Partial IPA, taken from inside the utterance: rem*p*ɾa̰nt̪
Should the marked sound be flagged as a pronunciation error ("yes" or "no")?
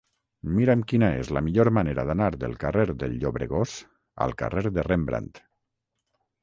yes